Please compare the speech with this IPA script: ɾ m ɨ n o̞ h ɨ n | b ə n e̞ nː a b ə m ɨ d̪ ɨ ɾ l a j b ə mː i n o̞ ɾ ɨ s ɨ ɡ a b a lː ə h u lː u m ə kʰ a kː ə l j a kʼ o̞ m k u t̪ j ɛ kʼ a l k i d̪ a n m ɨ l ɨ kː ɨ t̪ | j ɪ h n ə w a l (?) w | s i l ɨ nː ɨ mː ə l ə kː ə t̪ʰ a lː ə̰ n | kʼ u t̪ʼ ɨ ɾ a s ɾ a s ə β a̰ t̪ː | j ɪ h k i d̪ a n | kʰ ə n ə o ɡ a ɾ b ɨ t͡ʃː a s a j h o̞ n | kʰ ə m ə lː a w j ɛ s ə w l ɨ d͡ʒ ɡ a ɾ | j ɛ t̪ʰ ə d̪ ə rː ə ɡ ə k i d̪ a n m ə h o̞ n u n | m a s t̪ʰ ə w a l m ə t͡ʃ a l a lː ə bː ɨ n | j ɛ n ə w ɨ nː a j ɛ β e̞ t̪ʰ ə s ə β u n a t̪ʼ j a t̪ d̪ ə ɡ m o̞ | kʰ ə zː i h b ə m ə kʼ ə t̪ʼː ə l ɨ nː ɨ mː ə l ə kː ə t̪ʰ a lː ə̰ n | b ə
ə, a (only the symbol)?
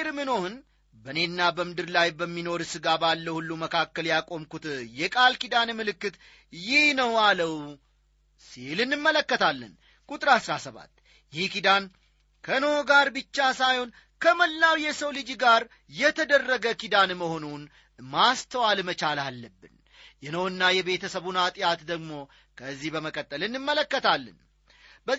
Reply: ə